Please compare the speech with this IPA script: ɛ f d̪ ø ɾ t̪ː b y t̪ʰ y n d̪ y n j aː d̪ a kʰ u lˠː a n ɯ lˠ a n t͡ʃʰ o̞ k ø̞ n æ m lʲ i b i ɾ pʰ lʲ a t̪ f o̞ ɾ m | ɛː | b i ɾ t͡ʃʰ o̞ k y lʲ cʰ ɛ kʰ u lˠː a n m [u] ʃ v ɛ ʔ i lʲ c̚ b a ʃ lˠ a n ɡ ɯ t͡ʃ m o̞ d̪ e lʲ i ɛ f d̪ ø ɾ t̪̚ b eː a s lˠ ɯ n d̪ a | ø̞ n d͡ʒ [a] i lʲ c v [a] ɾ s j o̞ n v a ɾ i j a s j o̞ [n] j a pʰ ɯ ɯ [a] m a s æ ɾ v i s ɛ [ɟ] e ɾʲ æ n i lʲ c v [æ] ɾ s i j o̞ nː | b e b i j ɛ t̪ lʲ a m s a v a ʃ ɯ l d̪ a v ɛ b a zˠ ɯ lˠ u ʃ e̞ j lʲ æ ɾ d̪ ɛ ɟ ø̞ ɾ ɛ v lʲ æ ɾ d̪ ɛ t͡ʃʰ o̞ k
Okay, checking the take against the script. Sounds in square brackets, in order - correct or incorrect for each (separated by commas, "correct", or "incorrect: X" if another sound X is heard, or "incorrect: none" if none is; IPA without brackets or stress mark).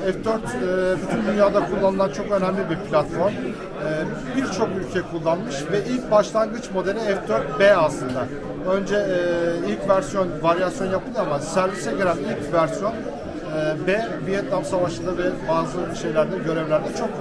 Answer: incorrect: ɯ, incorrect: ɛ, incorrect: æ, correct, correct, correct, correct